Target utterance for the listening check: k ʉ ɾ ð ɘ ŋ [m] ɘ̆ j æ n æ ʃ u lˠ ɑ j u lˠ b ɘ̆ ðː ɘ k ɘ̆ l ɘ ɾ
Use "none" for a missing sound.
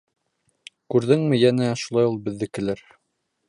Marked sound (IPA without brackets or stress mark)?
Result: m